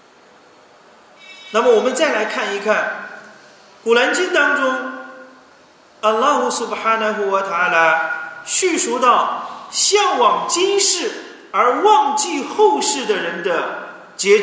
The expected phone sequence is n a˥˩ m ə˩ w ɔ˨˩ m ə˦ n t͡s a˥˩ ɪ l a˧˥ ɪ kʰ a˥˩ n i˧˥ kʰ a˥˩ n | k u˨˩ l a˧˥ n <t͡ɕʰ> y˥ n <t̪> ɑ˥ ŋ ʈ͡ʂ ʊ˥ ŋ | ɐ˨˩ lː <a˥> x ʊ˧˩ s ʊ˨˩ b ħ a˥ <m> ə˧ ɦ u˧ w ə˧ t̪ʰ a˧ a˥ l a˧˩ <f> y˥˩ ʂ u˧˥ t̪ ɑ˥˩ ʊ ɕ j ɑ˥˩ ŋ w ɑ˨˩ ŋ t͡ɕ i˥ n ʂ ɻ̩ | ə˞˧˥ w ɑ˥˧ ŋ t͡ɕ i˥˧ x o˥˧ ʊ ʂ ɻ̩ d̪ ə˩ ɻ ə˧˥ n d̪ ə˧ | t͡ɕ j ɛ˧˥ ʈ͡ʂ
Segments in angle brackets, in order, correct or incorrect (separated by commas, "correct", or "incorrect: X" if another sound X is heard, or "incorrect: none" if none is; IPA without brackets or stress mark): incorrect: t͡ɕ, correct, incorrect: ɑ˥, incorrect: n, incorrect: ɕ